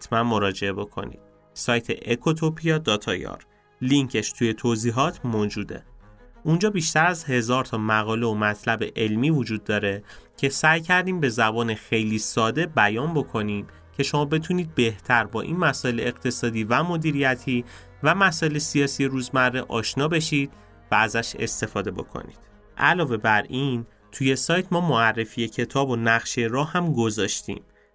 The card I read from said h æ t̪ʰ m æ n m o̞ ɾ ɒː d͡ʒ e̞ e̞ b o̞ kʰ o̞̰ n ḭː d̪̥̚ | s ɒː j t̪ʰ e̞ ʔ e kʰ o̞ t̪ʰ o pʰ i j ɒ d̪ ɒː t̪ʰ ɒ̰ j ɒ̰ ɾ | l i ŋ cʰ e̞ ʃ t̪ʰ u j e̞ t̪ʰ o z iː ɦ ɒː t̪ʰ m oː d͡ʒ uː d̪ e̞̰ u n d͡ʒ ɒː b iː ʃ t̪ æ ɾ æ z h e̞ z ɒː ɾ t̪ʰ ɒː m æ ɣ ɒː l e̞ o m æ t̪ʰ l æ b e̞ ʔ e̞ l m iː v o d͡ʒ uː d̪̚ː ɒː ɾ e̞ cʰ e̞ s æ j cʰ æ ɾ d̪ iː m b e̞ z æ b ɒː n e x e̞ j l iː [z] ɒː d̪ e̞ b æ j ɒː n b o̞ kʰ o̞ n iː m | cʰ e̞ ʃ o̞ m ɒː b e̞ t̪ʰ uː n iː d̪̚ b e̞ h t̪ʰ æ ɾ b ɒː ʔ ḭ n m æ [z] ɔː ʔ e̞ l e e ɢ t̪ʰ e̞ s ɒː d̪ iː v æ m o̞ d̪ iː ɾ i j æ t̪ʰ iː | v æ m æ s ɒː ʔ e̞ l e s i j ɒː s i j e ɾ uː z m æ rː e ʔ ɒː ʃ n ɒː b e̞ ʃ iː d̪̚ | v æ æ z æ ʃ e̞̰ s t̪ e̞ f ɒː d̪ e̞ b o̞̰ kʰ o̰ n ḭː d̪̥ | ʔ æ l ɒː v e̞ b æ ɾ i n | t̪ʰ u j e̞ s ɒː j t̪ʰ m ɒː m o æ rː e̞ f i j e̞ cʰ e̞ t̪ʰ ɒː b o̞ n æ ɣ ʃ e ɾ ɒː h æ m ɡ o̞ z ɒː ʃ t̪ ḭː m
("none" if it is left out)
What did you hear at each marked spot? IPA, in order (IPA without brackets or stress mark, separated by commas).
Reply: s, s